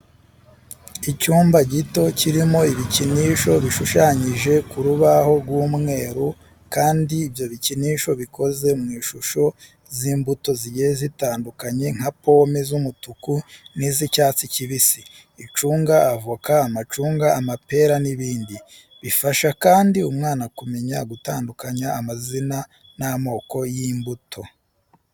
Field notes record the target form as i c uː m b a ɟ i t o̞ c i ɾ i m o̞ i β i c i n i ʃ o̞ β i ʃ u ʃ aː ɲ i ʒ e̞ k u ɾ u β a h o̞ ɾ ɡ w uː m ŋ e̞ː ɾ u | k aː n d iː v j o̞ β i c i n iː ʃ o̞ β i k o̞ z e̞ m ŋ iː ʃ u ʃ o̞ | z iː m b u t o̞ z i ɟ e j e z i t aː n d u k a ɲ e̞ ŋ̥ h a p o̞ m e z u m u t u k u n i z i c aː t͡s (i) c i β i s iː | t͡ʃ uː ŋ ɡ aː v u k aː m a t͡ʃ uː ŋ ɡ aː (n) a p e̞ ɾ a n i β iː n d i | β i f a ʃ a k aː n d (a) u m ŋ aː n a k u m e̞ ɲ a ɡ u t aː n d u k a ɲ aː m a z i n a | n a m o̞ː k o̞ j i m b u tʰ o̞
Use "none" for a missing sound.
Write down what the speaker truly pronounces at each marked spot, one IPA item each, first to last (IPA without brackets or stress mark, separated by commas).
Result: i, m, i